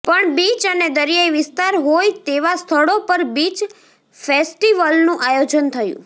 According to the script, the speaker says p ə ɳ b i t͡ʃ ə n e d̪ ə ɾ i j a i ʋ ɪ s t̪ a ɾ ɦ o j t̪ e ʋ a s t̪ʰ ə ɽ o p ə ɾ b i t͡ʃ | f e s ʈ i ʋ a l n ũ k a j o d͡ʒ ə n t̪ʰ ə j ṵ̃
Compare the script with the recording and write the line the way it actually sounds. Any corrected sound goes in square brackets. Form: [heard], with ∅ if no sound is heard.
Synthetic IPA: p ə ɳ b i t͡ʃ ə n e d̪ ə ɾ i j a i ʋ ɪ s t̪ a ɾ ɦ o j t̪ e ʋ a s t̪ʰ ə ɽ o p ə ɾ b i t͡ʃ | f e s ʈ i ʋ [ə] l n ũ [ʔ] a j o d͡ʒ ə n t̪ʰ ə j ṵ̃